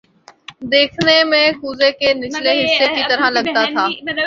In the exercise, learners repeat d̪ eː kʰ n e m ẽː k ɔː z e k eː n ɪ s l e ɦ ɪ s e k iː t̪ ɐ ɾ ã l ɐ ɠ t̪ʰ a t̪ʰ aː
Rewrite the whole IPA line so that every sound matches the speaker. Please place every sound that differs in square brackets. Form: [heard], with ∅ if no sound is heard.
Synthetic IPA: d̪ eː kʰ n e m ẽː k [uː] z e k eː n ɪ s l e ɦ ɪ s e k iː t̪ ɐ ɾ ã l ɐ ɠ [t̪] a t̪ʰ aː